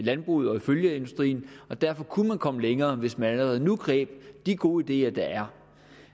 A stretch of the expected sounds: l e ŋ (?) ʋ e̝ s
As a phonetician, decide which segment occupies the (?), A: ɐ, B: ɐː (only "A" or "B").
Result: B